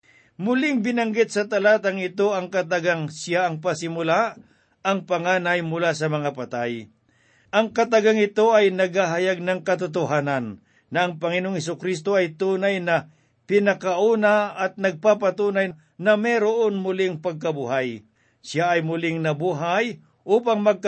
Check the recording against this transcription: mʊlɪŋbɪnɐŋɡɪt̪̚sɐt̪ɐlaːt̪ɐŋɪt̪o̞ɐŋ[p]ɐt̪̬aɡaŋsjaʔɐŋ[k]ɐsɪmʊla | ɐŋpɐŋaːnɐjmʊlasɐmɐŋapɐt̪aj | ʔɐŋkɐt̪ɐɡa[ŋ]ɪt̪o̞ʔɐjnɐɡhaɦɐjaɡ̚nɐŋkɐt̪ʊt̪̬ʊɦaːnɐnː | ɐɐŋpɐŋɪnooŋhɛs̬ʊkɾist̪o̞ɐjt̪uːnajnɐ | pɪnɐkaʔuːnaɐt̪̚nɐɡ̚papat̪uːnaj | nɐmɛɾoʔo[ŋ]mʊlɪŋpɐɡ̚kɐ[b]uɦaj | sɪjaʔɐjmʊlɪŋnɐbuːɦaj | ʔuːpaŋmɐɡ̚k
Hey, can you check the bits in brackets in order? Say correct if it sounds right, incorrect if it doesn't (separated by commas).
incorrect, incorrect, correct, incorrect, correct